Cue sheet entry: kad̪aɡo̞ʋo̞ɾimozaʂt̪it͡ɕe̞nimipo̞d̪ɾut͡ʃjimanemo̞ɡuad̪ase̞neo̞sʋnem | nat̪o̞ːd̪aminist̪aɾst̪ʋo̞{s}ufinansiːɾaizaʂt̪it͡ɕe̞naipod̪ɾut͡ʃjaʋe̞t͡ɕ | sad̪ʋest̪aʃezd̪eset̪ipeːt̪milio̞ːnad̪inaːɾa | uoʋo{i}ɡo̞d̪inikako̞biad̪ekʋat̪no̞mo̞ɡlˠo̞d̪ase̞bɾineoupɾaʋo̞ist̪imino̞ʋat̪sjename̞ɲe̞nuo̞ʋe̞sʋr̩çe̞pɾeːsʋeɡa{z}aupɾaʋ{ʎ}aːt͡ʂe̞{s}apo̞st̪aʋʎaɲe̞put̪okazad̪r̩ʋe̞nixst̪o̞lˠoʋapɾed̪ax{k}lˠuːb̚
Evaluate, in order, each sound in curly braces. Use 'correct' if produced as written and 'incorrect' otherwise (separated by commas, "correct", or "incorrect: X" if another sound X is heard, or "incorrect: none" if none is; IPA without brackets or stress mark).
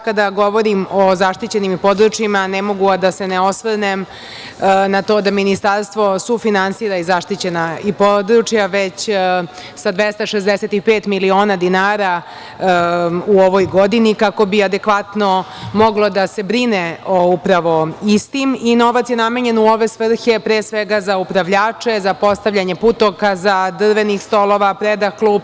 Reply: correct, incorrect: j, correct, correct, incorrect: z, correct